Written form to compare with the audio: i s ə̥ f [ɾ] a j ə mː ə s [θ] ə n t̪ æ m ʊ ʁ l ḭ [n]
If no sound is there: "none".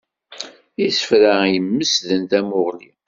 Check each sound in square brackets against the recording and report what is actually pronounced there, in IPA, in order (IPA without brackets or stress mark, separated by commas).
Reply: ɾ, ð, none